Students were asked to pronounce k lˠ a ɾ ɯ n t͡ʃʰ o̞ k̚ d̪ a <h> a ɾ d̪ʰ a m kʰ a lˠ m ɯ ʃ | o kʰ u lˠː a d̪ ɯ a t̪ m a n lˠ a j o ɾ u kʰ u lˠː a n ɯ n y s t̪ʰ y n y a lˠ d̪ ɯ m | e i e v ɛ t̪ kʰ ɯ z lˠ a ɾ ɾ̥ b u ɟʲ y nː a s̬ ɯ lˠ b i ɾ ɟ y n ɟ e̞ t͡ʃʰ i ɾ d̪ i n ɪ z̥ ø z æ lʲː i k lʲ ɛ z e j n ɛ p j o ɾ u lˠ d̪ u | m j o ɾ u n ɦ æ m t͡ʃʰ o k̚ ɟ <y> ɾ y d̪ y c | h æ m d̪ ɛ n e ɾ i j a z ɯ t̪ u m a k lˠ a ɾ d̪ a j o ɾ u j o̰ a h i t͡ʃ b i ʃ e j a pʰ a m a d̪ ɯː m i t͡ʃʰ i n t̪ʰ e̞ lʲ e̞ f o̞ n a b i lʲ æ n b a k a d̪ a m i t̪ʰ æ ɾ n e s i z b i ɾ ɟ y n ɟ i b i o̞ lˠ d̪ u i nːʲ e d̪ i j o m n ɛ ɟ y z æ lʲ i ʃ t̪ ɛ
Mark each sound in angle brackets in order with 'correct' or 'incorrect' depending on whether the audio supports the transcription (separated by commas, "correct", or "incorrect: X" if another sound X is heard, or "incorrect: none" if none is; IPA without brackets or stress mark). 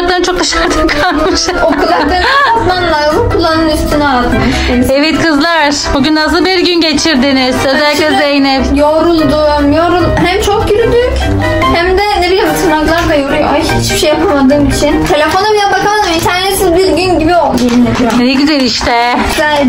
incorrect: ʃ, correct